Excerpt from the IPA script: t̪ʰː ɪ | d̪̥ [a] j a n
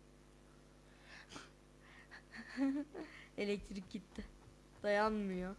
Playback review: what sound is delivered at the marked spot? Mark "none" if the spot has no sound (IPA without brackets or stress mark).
a